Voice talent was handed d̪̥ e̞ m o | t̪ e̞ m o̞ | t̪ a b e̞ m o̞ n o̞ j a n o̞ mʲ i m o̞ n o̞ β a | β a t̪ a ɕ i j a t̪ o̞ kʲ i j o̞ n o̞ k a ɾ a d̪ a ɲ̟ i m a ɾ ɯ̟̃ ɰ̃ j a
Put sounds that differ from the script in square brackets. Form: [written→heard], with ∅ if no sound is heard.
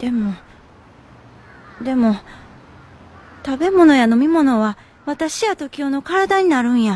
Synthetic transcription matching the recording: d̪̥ e̞ m o | [t̪→d̪] e̞ m o̞ | t̪ a b e̞ m o̞ n o̞ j a n o̞ mʲ i m o̞ n o̞ β a | β a t̪ a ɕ i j a t̪ o̞ kʲ i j o̞ n o̞ k a ɾ a d̪ a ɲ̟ i [m→n] a ɾ ɯ̟̃ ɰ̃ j a